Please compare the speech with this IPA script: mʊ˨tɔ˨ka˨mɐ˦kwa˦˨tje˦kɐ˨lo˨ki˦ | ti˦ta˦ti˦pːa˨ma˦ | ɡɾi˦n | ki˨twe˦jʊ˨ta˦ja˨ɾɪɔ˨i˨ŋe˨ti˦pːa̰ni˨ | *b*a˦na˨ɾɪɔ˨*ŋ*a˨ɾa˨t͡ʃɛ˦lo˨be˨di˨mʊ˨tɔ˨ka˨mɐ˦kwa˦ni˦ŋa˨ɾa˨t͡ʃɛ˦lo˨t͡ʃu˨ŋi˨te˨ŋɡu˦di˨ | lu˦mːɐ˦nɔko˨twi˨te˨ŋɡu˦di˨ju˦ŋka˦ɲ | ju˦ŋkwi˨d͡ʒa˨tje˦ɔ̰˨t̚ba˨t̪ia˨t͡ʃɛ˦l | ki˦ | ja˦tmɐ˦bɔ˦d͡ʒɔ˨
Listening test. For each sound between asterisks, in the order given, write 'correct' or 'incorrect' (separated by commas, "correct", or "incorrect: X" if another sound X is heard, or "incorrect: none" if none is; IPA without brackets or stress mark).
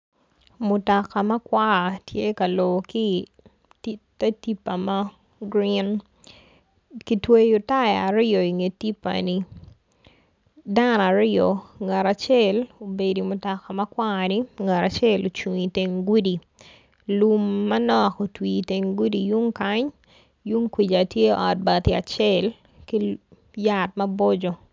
incorrect: d, correct